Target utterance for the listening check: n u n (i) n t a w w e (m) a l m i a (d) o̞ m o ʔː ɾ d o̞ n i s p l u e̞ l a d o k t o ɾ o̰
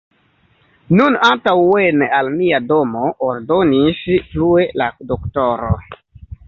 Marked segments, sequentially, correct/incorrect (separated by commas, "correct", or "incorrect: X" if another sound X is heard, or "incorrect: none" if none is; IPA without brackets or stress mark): incorrect: a, incorrect: n, correct